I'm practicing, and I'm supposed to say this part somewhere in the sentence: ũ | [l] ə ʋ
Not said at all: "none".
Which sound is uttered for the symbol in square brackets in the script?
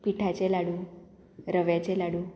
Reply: ɾ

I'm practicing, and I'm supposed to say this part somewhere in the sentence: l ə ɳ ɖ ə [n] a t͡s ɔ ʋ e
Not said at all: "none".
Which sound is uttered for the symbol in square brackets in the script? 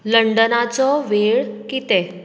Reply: n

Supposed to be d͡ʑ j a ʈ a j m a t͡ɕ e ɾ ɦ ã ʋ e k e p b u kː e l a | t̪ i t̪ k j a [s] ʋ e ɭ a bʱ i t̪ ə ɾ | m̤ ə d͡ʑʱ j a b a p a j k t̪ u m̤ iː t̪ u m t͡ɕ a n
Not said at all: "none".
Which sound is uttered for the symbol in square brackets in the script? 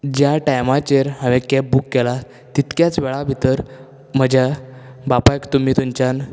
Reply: t͡s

